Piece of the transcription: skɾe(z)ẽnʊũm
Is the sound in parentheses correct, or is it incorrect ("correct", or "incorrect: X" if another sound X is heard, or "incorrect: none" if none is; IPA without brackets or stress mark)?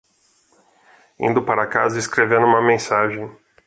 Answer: incorrect: v